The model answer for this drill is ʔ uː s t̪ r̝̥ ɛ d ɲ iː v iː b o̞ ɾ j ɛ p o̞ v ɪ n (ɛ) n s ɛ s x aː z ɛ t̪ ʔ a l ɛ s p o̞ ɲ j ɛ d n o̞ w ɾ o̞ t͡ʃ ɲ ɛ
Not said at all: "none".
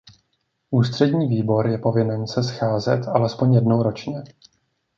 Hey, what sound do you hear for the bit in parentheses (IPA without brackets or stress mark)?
ɛ